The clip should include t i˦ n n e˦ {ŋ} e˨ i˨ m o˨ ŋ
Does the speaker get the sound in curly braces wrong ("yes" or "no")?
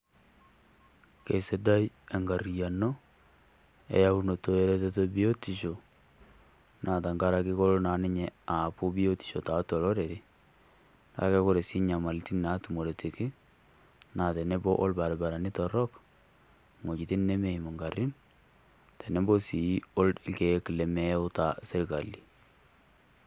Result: yes